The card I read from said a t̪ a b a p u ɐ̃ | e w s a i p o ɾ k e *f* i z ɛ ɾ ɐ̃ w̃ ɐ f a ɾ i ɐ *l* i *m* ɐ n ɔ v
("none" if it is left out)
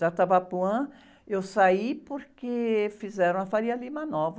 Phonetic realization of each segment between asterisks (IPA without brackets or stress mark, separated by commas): f, l, m